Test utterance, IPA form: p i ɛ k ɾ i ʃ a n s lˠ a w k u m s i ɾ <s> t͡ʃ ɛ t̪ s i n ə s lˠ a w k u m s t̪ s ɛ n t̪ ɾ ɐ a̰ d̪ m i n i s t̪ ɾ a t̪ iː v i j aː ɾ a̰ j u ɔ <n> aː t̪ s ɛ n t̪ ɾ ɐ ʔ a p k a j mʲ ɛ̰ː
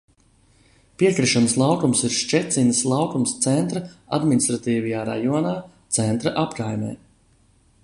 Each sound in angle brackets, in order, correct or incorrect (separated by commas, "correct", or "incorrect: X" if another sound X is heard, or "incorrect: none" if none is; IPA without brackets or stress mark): incorrect: ʃ, correct